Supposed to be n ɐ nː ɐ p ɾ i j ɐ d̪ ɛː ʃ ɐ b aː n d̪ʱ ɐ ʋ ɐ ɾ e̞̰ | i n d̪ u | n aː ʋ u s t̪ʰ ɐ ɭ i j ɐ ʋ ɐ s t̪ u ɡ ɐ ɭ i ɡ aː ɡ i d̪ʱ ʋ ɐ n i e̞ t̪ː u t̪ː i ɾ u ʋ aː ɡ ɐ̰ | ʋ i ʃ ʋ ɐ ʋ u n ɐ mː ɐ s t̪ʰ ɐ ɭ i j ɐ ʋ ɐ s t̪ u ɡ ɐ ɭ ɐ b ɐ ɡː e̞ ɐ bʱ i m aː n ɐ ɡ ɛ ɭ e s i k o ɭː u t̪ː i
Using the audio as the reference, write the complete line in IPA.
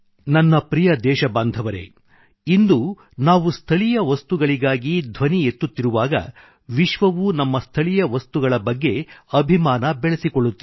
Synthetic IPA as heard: n ɐ nː ɐ p ɾ i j ɐ d̪ ɛː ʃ ɐ b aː n d̪ʱ ɐ ʋ ɐ ɾ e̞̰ | i n d̪ u | n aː ʋ u s t̪ʰ ɐ ɭ i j ɐ ʋ ɐ s t̪ u ɡ ɐ ɭ i ɡ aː ɡ i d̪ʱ ʋ ɐ n i e̞ t̪ː u t̪ː i ɾ u ʋ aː ɡ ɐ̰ | ʋ i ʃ ʋ ɐ ʋ u n ɐ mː ɐ s t̪ʰ ɐ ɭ i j ɐ ʋ ɐ s t̪ u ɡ ɐ ɭ ɐ b ɐ ɡː e̞ ɐ bʱ i m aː n ɐ b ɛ ɭ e s i k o ɭː u t̪ː i